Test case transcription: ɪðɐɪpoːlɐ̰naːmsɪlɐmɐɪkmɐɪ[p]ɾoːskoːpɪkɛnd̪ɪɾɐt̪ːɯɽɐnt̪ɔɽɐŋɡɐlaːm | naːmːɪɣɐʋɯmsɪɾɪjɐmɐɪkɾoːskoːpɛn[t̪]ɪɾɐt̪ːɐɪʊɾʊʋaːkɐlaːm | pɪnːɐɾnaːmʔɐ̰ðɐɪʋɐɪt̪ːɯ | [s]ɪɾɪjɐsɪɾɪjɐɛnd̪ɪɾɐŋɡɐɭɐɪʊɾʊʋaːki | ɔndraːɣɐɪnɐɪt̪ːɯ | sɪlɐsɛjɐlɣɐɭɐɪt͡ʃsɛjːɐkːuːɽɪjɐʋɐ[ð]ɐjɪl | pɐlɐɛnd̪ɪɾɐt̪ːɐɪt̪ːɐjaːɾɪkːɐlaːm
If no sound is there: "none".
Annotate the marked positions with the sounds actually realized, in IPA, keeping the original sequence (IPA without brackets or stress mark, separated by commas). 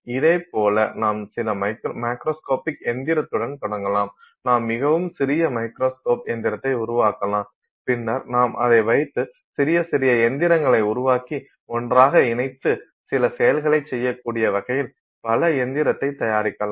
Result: k, d̪, s, ɣ